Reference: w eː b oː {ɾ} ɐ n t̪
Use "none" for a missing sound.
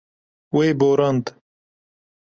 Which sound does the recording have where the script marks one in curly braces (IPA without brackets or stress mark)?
ɾ